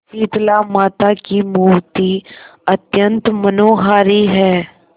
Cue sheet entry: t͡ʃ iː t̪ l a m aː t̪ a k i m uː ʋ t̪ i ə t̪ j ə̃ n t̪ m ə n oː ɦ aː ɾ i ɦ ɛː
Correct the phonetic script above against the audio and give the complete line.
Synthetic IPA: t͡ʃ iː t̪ l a m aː t̪ a k i m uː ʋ t̪ i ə t̪ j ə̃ n t̪ m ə n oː ɦ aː ɾ i ɦ ɛː